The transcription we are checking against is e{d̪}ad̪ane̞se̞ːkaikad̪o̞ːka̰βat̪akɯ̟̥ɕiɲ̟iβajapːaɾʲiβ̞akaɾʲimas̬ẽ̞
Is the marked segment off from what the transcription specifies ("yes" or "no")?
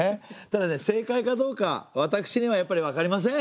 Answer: yes